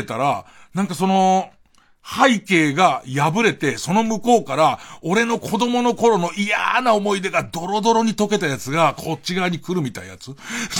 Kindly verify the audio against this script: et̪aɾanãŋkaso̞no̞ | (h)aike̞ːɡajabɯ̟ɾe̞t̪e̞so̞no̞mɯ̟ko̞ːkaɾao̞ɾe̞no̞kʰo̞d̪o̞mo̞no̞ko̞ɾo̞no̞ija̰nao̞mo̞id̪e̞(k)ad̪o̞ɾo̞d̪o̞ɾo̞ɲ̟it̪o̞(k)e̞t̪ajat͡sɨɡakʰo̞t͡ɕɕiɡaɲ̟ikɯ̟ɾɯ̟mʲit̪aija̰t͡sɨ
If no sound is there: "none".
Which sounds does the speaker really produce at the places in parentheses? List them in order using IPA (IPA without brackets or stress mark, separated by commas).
h, ɡ, k